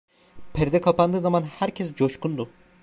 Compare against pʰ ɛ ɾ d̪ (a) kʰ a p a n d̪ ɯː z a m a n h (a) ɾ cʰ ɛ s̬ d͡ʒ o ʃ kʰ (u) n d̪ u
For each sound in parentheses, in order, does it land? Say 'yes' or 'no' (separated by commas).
no, no, yes